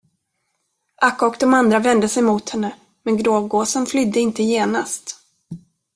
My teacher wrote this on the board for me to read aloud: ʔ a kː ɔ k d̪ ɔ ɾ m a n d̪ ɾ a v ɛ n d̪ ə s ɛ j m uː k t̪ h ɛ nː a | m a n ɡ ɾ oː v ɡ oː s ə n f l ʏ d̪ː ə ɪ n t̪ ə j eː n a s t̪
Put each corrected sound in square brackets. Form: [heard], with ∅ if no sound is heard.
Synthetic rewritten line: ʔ a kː ɔ k d̪ ɔ [∅] m a n d̪ ɾ a v ɛ n d̪ ə s ɛ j m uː [∅] t̪ h ɛ nː [ə] | m [ɛ] n ɡ ɾ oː v ɡ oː s ə n f l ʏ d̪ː ə ɪ n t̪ ə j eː n a s t̪